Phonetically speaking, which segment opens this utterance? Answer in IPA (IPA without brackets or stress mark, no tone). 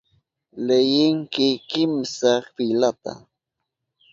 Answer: l